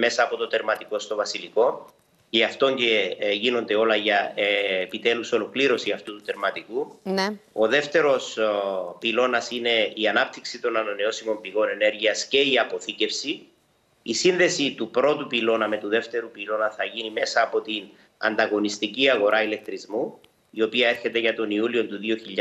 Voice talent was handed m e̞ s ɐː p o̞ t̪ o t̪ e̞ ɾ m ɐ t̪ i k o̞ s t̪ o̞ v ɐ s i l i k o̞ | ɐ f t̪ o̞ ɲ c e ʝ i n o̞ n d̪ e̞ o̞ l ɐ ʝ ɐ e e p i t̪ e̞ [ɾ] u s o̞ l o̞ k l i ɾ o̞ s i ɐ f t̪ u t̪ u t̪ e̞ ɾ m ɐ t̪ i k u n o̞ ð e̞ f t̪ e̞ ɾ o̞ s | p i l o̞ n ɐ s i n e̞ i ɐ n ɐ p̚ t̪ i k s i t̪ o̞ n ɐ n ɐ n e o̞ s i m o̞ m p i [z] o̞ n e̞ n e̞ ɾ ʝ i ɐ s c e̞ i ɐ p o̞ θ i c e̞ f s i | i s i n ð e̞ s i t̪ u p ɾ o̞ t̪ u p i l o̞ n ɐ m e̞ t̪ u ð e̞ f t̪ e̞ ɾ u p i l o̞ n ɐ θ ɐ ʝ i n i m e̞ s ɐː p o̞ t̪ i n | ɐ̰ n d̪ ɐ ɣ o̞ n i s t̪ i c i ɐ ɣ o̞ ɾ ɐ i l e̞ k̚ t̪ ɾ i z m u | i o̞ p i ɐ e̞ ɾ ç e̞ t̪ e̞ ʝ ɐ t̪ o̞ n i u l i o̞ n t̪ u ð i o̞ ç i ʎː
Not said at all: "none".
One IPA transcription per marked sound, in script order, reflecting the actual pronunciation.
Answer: l, ɣ

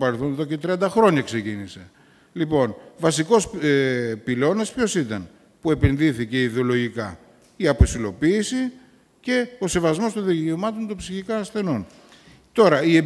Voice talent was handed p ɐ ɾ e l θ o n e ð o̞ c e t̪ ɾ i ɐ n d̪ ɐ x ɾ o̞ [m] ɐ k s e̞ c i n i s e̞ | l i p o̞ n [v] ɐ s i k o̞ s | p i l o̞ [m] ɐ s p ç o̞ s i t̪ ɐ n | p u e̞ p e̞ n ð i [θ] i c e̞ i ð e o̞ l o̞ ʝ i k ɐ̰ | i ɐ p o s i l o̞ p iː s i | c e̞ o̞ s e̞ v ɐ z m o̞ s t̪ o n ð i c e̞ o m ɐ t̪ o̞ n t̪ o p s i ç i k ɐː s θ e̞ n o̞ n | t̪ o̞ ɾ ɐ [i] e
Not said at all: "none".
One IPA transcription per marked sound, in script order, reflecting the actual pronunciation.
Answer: ɲ, v, n, θ, i

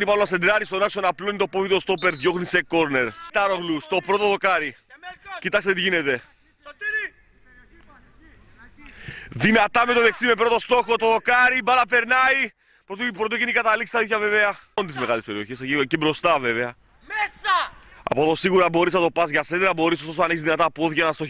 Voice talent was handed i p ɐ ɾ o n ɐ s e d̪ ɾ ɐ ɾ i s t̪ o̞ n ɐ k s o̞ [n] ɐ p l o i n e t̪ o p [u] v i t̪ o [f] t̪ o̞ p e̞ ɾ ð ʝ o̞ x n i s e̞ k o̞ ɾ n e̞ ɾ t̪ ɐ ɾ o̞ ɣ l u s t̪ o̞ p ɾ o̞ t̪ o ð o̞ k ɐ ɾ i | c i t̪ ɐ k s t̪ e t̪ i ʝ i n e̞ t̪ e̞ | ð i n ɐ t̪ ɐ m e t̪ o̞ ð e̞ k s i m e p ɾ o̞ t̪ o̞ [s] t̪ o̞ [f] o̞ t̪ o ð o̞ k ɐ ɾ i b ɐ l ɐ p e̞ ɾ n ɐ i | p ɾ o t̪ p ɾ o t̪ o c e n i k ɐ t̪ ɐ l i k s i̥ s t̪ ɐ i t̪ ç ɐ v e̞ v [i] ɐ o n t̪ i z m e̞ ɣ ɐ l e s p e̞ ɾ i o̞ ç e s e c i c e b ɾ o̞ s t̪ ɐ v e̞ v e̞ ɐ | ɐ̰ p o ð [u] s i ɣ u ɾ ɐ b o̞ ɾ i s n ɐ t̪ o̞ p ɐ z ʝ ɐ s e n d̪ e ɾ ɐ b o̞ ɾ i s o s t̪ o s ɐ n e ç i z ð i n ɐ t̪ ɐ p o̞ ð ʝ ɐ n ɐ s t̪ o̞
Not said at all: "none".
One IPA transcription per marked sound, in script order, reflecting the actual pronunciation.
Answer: n, o, s, s, x, e, o

